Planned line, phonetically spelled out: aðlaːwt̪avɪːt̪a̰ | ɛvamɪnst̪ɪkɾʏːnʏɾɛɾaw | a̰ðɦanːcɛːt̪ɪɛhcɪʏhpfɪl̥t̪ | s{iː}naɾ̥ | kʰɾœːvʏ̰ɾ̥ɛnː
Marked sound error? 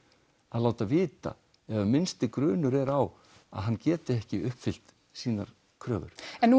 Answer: no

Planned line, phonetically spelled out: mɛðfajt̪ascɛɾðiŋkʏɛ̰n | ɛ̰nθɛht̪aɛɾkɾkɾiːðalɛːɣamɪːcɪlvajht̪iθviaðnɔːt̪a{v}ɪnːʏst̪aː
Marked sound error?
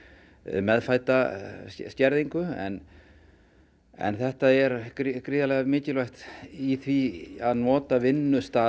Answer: no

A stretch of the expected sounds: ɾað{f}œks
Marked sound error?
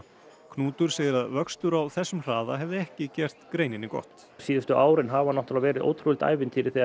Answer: yes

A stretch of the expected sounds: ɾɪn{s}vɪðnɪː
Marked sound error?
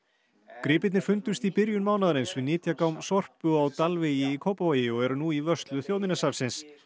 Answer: no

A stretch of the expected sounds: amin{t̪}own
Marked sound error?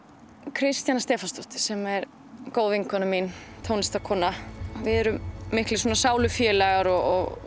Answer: yes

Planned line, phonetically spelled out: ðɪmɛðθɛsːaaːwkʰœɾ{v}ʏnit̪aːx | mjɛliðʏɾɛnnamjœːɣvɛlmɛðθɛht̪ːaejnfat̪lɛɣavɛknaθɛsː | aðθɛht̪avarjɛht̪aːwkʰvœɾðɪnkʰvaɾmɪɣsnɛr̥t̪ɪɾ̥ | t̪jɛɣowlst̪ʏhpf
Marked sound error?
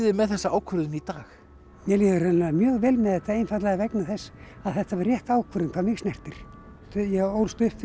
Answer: yes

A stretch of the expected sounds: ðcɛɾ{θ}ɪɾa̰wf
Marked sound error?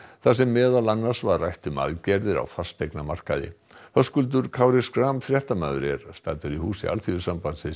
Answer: yes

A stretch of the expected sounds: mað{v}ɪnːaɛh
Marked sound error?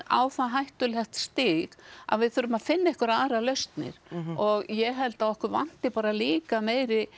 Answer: yes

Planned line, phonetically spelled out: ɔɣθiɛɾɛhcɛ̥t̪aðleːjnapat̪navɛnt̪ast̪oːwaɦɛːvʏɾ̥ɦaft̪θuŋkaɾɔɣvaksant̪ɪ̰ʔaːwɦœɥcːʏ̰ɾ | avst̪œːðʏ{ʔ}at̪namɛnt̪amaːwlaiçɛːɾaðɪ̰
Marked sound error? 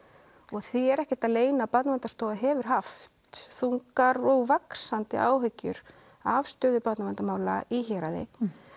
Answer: yes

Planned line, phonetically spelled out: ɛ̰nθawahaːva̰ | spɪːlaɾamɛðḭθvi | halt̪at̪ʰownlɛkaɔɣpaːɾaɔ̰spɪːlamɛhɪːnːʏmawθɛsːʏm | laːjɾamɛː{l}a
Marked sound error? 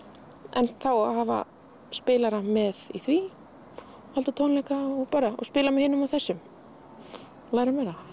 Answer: yes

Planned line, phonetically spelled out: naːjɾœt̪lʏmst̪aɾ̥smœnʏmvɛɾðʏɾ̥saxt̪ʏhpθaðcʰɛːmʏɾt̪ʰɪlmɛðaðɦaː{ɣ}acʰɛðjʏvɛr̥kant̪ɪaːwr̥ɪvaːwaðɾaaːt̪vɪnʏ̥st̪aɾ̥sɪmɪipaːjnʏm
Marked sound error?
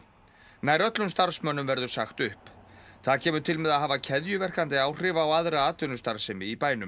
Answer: yes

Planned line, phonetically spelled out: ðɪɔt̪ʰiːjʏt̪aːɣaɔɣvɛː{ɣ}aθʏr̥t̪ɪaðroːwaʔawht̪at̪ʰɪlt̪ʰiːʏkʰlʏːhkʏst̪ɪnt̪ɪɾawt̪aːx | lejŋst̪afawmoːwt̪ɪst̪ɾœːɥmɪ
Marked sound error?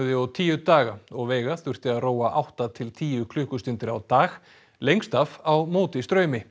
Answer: no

